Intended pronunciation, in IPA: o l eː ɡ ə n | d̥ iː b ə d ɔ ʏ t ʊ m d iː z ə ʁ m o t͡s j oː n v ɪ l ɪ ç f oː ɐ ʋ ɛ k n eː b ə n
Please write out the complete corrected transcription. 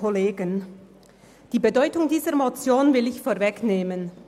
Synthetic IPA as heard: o l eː ɡ ə n | d̥ iː b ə d ɔ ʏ t ʊ ŋ d iː z ə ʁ m o t͡s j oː n v ɪ l ɪ ç f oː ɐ v ɛ k n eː m ə n